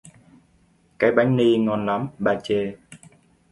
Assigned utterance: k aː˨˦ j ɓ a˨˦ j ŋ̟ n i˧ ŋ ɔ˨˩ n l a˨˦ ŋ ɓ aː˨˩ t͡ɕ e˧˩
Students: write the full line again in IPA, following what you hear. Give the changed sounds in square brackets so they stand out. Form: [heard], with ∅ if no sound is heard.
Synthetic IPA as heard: k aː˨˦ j ɓ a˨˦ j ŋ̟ n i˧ ŋ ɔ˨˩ n l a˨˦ [m] ɓ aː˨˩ t͡ɕ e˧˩